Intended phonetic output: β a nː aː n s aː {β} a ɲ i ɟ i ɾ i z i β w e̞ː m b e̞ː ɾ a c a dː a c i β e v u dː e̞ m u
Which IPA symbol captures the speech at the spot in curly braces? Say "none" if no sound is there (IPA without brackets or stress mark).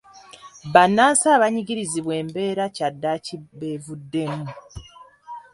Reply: β